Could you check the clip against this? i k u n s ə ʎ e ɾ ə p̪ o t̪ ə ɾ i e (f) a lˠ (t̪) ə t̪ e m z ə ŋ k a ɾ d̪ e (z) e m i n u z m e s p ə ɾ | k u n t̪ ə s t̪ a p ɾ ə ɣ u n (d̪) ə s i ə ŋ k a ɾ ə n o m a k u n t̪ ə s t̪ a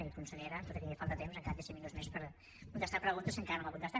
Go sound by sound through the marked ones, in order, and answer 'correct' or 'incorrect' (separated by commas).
correct, correct, incorrect, incorrect